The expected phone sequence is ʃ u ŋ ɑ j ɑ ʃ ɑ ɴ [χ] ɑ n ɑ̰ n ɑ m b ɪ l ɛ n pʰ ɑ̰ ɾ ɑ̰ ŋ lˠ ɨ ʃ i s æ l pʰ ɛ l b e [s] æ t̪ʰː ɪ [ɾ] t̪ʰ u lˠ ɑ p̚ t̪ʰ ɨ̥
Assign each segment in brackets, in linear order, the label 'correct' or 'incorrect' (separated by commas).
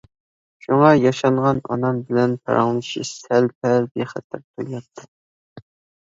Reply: incorrect, incorrect, correct